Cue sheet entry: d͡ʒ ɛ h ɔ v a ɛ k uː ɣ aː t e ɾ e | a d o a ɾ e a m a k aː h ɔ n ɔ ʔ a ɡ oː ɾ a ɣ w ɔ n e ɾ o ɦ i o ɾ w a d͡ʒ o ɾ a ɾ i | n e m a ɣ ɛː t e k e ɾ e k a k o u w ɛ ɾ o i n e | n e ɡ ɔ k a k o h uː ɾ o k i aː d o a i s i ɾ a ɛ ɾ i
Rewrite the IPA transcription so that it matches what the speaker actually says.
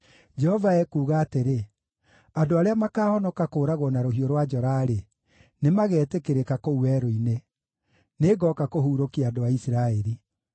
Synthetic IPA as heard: d͡ʒ ɛ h ɔ v a ɛ k uː ɣ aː t e ɾ e | a d o a ɾ e a m a k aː h ɔ n ɔ k a k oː ɾ a ɣ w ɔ n a ɾ o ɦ i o ɾ w a d͡ʒ ɔ ɾ a ɾ e | n e m a ɣ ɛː t e k e ɾ e k a k o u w ɛ ɾ o i n e | n e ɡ ɔ k a k o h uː ɾ o k i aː d o a i s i ɾ a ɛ ɾ i